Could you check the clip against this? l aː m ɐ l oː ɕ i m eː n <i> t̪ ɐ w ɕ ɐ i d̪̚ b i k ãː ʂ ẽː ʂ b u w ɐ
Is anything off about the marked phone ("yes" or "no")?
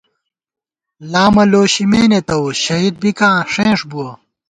yes